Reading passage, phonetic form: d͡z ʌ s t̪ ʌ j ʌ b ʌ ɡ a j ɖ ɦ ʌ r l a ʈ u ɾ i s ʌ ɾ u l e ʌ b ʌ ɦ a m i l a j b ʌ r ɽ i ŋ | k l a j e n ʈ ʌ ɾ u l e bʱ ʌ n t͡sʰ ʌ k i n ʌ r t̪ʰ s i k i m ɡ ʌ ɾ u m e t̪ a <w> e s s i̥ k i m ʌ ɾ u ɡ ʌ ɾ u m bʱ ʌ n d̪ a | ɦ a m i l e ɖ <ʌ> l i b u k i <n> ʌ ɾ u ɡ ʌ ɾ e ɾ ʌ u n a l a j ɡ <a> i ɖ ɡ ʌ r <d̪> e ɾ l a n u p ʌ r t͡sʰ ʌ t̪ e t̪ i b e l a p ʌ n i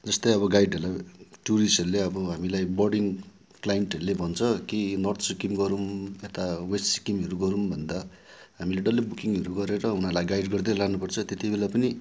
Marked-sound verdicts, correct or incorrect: correct, correct, incorrect: ŋ, correct, correct

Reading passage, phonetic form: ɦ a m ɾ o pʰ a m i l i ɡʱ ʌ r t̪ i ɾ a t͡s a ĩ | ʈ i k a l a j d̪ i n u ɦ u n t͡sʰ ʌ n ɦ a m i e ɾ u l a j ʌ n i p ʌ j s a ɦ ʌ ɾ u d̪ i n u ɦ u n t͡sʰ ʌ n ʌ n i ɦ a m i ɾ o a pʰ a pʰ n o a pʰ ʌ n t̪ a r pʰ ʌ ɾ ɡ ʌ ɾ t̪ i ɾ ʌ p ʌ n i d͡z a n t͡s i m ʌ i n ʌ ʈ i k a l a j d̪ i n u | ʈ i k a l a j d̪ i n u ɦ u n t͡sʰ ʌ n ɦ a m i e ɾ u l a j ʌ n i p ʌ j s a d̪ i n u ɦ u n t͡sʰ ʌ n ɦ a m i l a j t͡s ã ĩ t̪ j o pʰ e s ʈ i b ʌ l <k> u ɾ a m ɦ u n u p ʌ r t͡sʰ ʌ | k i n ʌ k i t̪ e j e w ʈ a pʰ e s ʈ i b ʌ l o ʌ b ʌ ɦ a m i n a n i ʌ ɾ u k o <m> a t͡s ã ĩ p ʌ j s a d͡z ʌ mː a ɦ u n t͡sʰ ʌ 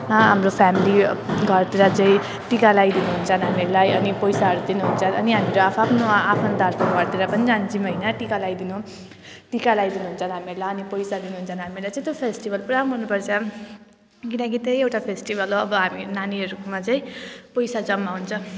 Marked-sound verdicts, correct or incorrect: incorrect: p, correct

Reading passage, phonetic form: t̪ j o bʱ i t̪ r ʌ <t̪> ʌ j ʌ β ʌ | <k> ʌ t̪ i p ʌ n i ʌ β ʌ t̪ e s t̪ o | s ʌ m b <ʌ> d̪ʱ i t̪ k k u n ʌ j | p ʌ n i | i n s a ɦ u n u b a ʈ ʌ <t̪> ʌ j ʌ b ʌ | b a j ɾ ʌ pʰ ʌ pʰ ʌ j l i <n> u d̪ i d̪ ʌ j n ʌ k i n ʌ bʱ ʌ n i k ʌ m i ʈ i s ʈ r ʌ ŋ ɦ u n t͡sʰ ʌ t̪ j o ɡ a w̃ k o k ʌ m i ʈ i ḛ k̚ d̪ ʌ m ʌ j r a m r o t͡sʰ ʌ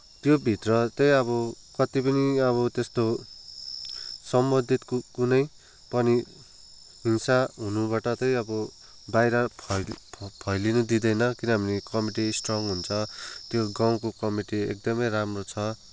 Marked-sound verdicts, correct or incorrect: correct, correct, correct, correct, correct

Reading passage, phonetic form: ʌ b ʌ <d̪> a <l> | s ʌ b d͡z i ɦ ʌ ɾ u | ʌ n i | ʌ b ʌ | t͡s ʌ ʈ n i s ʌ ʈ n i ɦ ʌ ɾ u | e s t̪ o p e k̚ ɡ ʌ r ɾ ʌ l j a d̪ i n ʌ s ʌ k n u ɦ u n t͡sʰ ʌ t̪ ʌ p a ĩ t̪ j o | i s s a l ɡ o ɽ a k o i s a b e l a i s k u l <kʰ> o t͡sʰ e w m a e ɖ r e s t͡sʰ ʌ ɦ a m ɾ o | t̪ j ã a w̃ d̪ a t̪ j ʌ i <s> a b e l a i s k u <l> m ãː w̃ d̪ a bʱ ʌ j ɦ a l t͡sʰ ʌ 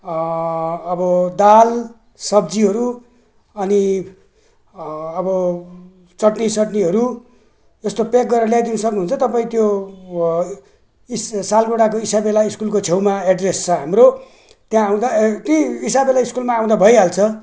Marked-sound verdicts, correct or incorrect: correct, correct, incorrect: k, correct, correct

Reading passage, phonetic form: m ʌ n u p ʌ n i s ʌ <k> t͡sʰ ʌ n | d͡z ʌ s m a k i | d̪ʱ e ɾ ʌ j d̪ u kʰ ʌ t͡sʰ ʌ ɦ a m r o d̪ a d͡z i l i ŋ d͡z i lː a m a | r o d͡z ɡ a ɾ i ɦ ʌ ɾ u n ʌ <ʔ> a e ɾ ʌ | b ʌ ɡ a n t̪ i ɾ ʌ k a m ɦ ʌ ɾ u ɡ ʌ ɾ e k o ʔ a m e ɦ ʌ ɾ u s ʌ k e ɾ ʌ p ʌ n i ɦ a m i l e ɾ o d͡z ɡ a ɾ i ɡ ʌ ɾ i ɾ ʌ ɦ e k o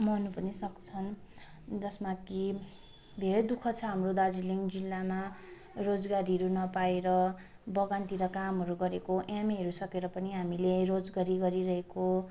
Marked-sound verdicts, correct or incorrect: correct, incorrect: p

